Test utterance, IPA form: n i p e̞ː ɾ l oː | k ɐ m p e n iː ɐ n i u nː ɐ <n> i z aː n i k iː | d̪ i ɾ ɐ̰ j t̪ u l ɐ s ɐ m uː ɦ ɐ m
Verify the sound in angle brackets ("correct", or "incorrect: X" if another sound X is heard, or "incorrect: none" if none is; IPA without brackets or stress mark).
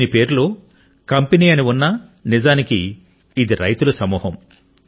correct